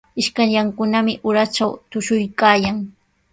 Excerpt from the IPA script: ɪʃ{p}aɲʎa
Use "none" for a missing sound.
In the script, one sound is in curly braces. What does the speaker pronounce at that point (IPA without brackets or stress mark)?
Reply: k